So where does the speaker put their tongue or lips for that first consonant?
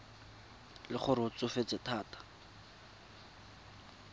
tongue tip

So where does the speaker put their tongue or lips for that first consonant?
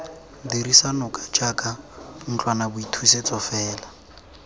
tongue tip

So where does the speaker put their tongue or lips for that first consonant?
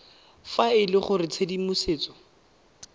lips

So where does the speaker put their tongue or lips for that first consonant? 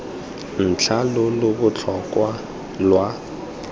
tongue tip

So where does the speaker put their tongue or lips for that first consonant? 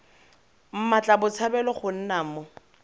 lips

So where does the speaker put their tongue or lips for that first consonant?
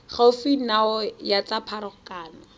uvula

